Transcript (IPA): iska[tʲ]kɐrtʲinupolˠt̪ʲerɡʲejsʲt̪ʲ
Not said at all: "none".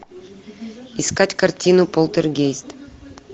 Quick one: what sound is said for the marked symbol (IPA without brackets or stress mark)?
tʲ